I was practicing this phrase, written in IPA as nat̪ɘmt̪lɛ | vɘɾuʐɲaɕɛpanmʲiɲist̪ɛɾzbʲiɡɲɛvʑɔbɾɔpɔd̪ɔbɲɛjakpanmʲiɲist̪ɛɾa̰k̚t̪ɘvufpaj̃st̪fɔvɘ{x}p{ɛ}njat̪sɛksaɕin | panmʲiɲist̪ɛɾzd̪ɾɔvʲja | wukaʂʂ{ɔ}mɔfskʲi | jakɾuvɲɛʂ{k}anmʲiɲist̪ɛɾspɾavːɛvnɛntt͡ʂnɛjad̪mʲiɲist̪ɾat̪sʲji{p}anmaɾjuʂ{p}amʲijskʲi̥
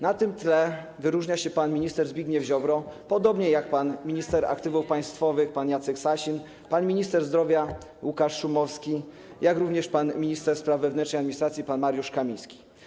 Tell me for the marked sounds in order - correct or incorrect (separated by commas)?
correct, incorrect, incorrect, incorrect, correct, incorrect